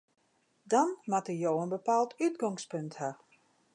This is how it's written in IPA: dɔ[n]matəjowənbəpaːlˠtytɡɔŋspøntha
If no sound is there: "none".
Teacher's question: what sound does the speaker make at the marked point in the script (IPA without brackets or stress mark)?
n